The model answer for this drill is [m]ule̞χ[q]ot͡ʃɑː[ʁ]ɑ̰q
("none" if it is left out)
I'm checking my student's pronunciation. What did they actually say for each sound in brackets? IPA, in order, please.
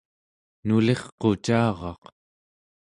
n, q, ʁ

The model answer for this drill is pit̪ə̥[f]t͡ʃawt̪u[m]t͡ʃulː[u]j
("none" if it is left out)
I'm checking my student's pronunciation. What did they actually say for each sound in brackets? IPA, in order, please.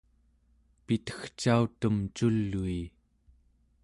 x, m, u

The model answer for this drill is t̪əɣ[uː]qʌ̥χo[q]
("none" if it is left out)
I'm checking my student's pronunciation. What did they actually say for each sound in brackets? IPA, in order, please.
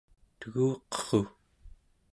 uː, none

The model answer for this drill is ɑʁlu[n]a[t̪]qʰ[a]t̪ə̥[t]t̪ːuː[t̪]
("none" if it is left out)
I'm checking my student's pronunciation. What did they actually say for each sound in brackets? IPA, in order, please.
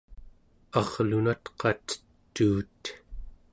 n, t̪, ɑ, t, t̪

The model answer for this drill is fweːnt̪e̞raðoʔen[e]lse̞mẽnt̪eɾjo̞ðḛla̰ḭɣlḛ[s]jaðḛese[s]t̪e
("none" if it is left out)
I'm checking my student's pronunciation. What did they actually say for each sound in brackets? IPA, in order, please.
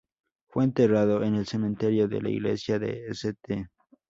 e, s, none

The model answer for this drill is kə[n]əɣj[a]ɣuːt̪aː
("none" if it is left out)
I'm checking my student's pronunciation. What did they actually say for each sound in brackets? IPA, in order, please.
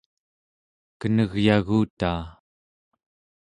n, a

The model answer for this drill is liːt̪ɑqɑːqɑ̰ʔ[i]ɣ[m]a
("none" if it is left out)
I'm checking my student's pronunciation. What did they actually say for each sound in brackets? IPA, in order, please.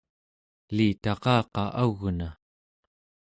a, n

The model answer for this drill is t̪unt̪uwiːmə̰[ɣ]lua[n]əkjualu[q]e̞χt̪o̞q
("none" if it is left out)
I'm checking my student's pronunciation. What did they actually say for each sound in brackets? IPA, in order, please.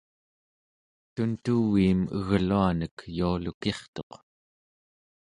ɣ, n, k

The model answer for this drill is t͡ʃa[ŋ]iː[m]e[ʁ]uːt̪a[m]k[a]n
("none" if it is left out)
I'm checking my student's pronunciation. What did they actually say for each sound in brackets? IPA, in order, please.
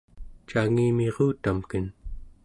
ŋ, m, ʁ, m, ə

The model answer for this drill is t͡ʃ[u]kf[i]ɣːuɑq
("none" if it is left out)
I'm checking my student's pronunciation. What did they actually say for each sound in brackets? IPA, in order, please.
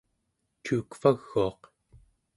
uː, a

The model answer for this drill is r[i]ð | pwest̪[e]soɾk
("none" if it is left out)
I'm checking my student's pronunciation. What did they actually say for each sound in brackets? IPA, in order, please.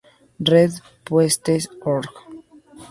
e, e

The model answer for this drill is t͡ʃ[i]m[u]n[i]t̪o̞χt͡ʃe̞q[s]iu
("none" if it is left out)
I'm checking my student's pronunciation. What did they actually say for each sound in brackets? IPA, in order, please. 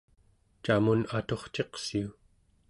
a, u, a, s

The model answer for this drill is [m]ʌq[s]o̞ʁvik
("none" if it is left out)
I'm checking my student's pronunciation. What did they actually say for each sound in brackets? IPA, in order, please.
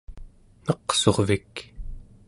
n, s

